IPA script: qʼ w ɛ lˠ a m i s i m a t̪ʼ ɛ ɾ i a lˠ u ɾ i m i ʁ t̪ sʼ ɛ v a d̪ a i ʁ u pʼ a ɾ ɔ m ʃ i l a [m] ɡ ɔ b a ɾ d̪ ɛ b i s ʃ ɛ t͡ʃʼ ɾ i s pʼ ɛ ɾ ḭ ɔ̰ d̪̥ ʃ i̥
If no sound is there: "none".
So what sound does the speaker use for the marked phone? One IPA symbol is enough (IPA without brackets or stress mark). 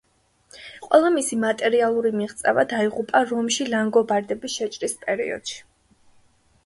ŋ